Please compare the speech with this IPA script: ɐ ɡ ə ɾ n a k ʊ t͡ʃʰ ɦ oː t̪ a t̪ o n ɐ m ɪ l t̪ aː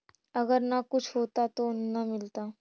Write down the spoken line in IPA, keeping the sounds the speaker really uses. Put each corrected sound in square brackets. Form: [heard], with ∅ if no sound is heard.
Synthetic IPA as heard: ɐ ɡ ə ɾ n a k ʊ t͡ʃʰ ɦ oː t̪ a t̪ o n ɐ m ɪ l t̪ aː